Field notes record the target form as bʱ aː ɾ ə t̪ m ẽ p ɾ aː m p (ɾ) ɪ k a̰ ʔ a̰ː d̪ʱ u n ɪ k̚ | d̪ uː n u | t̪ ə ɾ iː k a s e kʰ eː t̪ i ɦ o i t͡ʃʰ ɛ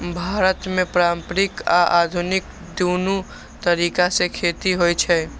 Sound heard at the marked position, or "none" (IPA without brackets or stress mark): ɾ